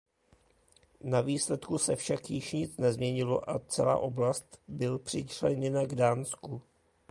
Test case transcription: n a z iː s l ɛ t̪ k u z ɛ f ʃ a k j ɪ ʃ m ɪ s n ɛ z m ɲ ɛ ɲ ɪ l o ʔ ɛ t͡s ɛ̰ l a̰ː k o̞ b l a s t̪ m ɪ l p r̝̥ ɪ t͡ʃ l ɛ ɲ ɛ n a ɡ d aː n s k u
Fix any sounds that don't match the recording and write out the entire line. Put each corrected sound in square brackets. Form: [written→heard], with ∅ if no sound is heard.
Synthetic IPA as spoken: n a [z→v] iː s l ɛ t̪ k u [z→s] ɛ f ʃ a k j ɪ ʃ [m→ɲ] ɪ [s→t͡s] n ɛ z m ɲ ɛ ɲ ɪ l o ʔ [ɛ→a] t͡s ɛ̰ l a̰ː [k→ʔ] o̞ b l a s t̪ [m→b] ɪ l p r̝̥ ɪ t͡ʃ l ɛ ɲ ɛ n a ɡ d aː n s k u